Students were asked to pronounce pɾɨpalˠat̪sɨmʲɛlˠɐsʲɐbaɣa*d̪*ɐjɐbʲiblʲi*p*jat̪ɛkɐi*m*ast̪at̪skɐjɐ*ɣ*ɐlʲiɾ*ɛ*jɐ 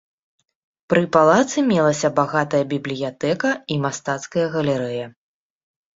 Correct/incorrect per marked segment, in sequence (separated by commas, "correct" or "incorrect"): incorrect, incorrect, correct, correct, correct